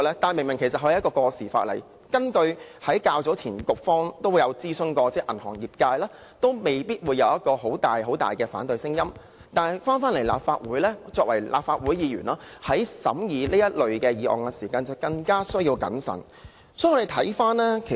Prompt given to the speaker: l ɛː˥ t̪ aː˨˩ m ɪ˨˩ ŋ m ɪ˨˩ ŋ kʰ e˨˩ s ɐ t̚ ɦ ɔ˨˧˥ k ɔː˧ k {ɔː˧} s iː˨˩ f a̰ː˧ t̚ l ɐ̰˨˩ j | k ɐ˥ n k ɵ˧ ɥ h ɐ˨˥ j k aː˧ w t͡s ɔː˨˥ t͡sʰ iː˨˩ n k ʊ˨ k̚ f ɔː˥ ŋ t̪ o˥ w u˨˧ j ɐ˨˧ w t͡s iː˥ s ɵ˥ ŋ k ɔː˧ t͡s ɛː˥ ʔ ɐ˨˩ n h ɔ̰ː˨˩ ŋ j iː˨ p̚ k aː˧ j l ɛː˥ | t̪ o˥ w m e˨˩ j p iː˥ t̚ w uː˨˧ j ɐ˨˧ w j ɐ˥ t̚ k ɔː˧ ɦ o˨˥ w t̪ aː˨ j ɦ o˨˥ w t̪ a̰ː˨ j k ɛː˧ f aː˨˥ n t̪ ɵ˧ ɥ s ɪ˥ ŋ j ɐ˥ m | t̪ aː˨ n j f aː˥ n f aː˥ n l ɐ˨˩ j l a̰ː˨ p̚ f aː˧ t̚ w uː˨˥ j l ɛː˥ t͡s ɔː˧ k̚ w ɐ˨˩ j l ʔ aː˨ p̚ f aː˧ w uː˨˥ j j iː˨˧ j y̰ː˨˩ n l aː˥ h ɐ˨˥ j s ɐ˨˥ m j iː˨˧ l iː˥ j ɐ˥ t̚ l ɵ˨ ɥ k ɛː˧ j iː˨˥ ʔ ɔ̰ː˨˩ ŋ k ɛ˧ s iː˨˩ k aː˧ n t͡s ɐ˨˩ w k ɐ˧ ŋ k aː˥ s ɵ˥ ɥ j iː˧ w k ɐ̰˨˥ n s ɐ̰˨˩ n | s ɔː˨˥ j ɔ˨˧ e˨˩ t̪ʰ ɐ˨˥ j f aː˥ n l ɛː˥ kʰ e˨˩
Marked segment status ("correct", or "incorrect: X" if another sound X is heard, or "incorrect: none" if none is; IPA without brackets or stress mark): correct